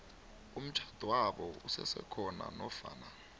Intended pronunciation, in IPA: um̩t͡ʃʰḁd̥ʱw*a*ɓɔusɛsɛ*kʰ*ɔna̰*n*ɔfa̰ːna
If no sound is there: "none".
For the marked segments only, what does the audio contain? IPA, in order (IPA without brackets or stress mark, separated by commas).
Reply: a, kʰ, n